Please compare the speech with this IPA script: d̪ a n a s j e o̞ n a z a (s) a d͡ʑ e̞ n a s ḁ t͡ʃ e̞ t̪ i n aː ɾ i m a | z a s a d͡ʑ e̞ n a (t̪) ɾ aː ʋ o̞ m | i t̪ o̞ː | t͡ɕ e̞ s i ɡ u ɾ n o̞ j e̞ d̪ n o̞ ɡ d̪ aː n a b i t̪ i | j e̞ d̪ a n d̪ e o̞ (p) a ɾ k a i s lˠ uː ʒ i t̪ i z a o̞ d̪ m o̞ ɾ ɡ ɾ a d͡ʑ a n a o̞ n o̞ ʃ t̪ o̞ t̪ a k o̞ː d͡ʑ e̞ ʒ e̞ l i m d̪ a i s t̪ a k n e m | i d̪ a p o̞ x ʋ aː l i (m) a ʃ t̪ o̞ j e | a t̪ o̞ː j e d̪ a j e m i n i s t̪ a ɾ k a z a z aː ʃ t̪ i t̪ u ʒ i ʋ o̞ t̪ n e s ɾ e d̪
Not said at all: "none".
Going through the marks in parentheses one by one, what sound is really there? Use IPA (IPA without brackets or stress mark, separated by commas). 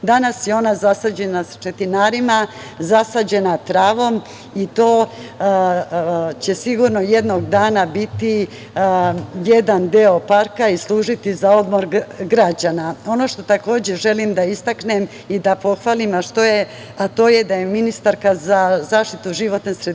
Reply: s, t̪, p, m